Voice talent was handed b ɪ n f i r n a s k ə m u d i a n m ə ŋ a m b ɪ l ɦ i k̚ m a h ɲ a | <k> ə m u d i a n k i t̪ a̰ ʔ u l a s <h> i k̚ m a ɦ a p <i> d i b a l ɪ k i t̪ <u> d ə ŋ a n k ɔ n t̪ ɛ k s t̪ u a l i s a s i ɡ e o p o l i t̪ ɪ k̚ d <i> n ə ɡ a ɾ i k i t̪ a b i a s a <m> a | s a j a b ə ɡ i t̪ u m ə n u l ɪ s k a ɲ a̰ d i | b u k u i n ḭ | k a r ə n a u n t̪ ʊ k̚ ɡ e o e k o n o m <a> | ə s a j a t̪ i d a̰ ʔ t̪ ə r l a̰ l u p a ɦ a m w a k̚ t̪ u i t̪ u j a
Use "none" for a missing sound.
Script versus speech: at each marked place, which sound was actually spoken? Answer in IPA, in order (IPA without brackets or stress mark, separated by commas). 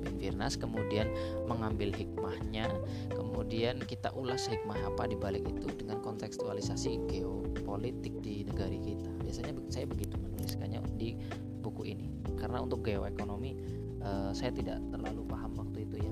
k, h, a, u, i, ɲ, i